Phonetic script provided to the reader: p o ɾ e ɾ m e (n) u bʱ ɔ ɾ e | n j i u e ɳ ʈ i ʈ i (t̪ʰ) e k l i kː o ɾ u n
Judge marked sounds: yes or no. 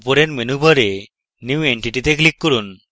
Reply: yes, no

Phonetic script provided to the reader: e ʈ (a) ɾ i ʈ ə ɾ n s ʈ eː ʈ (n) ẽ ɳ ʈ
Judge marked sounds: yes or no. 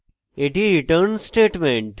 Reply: no, no

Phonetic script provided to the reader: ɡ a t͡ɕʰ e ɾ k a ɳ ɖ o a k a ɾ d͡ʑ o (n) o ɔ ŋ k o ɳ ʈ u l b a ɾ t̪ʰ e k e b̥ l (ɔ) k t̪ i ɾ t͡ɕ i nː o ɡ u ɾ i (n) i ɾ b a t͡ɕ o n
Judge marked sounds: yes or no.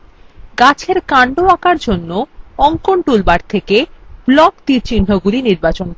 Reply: no, yes, yes

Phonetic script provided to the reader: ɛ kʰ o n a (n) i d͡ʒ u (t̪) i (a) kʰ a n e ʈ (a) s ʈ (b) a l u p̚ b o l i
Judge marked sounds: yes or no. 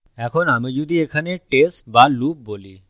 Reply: no, no, no, no, yes

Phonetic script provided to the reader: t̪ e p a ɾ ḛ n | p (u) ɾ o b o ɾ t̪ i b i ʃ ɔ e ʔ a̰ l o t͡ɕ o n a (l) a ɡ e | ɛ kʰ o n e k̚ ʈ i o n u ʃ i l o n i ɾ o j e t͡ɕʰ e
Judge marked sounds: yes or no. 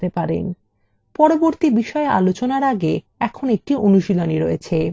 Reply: no, no

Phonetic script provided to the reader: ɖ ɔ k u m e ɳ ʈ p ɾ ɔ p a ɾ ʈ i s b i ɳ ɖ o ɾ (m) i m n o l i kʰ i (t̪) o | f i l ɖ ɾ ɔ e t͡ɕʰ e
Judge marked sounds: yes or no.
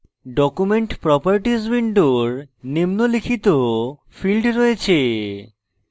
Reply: no, yes

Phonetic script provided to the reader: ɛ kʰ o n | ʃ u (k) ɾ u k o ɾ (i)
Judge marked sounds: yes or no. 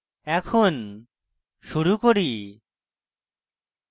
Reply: no, yes

